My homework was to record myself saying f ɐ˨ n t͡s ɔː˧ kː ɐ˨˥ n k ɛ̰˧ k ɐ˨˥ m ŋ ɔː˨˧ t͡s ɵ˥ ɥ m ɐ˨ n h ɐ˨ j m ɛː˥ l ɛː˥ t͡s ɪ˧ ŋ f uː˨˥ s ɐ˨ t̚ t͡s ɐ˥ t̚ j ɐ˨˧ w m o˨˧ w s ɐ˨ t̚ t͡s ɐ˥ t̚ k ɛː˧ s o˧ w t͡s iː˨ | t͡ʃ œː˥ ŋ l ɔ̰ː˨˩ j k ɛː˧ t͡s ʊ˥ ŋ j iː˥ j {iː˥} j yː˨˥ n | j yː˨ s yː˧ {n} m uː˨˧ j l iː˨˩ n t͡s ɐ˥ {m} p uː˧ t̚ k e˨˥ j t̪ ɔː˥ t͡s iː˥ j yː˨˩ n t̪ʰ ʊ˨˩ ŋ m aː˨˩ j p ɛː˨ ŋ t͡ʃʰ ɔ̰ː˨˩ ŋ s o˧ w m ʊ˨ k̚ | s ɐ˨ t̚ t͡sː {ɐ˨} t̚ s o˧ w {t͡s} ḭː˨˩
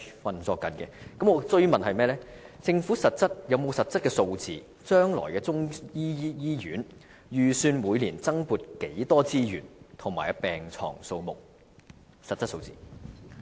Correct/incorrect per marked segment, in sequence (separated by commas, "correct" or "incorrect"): correct, correct, incorrect, incorrect, correct